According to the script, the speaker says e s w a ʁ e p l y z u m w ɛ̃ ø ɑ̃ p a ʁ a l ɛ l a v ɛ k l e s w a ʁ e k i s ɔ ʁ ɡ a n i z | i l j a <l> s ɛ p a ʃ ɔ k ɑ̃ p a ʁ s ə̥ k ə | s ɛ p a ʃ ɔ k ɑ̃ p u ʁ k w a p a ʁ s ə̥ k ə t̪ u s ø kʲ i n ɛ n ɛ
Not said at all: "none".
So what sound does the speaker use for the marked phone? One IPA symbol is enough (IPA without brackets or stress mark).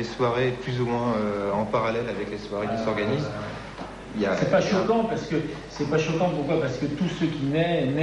none